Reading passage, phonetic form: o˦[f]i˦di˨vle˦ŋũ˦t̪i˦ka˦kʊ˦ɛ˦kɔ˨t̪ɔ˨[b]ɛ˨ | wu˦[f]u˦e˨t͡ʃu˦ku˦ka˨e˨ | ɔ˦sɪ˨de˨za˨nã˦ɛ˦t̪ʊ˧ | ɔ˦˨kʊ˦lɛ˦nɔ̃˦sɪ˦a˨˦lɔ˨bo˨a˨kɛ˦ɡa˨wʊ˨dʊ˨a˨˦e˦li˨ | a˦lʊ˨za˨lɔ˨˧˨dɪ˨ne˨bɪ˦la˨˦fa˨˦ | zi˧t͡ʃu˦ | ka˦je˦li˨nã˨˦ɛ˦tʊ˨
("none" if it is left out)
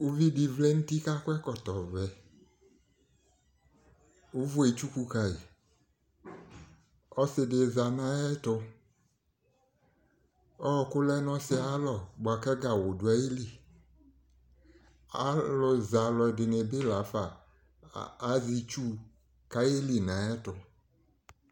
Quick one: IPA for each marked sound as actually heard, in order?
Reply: v, v, v

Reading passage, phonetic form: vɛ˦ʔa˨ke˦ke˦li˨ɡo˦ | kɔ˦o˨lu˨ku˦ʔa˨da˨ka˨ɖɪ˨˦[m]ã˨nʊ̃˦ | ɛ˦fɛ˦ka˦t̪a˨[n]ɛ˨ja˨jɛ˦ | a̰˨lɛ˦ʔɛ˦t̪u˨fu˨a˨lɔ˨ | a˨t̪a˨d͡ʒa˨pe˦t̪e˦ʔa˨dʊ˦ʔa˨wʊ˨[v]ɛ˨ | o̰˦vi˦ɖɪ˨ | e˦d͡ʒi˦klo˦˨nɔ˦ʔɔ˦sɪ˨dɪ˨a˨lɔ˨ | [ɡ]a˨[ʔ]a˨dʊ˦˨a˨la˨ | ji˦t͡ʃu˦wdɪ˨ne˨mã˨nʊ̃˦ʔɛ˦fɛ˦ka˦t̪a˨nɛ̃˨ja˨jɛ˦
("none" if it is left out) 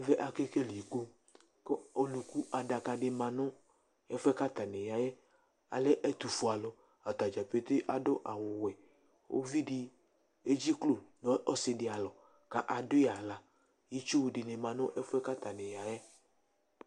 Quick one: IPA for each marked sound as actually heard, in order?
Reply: m, n, w, k, ʔ

